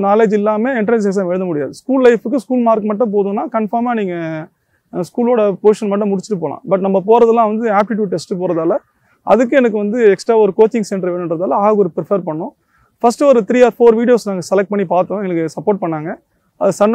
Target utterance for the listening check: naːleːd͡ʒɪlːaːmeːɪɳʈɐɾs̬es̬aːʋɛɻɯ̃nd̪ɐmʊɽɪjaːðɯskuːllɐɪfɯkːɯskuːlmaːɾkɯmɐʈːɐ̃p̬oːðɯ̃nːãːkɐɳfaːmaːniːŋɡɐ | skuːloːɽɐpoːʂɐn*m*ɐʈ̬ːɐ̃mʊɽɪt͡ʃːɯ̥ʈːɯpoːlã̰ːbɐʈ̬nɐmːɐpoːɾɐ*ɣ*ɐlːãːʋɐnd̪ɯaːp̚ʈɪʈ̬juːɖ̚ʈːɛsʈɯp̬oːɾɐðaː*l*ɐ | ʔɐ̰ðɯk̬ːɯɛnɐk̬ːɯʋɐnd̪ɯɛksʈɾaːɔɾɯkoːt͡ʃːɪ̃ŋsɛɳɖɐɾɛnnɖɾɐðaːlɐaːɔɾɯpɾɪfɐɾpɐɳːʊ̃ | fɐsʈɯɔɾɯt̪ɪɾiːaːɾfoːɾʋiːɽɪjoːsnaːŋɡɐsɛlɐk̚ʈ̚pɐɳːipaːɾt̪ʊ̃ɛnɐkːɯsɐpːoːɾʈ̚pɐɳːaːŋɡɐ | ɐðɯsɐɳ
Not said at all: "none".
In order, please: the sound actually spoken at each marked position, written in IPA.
m, ð, l

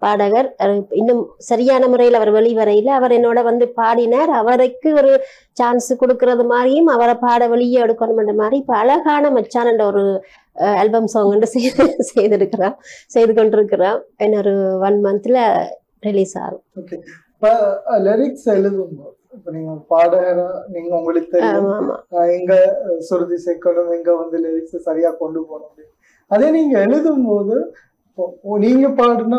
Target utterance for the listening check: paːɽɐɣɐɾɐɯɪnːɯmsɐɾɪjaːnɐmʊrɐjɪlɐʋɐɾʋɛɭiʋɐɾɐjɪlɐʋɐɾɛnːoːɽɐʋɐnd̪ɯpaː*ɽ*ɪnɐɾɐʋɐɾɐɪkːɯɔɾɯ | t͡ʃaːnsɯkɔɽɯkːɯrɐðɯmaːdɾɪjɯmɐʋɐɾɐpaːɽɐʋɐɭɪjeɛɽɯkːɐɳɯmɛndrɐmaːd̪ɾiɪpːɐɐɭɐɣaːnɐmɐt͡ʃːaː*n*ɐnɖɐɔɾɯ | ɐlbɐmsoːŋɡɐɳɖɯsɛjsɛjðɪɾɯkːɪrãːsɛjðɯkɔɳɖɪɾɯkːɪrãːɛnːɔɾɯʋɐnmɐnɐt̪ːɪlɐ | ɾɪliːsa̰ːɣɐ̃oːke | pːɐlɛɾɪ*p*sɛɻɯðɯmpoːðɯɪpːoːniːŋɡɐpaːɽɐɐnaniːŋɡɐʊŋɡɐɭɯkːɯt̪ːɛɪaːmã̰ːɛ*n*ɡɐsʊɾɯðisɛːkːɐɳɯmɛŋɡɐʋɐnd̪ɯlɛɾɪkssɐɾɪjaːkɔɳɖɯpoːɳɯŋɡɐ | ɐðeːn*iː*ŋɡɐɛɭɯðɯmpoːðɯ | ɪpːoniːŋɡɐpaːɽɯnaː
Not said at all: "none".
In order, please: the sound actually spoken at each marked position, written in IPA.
ɽ, n, k, ŋ, iː

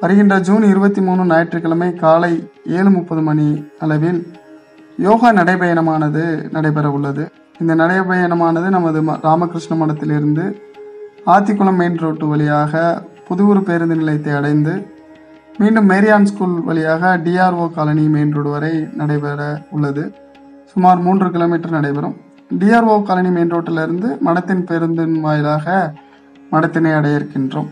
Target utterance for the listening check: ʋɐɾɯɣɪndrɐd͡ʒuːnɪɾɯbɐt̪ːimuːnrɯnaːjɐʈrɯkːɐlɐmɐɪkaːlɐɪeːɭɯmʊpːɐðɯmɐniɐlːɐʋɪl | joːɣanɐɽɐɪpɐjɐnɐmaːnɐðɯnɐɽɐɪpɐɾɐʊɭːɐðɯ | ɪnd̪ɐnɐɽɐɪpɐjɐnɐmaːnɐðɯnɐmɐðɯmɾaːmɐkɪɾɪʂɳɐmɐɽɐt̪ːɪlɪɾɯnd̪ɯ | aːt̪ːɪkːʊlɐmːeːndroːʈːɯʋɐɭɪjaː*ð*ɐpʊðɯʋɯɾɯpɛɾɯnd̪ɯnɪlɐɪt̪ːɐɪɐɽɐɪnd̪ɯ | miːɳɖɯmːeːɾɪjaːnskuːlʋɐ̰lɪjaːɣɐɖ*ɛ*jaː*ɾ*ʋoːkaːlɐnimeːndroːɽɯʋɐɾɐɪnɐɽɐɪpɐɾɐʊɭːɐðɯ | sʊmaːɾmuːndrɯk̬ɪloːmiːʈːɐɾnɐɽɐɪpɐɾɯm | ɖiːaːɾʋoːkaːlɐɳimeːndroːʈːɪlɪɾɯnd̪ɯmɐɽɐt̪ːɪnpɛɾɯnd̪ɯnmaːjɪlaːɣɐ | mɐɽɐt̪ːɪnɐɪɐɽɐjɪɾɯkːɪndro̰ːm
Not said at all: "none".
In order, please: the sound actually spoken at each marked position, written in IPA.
ɣ, i, ɾ

